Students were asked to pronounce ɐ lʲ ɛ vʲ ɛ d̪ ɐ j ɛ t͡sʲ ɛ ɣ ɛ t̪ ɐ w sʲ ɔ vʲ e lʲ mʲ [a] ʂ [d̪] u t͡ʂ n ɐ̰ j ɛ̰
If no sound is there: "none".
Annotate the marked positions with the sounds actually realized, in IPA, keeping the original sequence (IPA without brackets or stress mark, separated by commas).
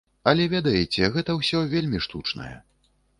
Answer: i, t̪